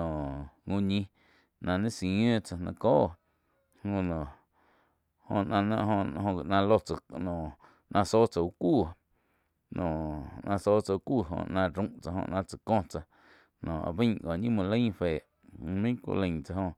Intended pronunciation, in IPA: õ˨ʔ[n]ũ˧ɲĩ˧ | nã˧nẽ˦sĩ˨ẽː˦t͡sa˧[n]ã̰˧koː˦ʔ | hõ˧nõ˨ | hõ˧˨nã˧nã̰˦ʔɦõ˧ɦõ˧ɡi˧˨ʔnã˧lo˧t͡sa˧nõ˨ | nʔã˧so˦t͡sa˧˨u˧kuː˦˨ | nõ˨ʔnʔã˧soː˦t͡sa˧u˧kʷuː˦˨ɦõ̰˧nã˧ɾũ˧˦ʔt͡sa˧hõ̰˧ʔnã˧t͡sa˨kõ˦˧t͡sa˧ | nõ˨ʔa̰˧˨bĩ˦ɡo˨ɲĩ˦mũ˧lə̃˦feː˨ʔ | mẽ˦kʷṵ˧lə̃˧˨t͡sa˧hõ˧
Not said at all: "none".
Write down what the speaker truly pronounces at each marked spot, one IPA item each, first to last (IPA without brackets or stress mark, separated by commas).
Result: ŋ, n